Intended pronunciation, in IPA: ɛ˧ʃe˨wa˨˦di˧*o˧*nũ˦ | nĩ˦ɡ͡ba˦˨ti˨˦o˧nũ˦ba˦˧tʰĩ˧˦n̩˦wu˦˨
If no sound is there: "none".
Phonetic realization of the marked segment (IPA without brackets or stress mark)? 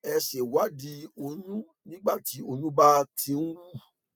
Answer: o˧